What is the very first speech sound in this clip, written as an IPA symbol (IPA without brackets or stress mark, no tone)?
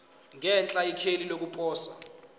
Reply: ŋ